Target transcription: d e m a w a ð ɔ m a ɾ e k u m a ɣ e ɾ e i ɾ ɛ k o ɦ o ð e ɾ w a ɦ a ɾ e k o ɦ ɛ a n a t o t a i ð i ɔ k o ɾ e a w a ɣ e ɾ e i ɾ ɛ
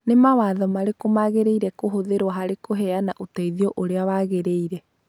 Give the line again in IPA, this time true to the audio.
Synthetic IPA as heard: n e m a w a ð ɔ m a ɾ e k o m a ɣ e ɾ e i ɾ ɛ k o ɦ o ð e ɾ w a ɦ a ɾ e k o ɦ ɛ a n a ʔ o t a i ð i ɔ ʔ o ɾ e a w a ɣ e ɾ e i ɾ ɛ